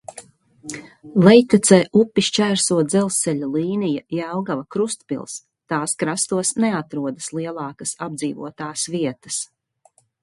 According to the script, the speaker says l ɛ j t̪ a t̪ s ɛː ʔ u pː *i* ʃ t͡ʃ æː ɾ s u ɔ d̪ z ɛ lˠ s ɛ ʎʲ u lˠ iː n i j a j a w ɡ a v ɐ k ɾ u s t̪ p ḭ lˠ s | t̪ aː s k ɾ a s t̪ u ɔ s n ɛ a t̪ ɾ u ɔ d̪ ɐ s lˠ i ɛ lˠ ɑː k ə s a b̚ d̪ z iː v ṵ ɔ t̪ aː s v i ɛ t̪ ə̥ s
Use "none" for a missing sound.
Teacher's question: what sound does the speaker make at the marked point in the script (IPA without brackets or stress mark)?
i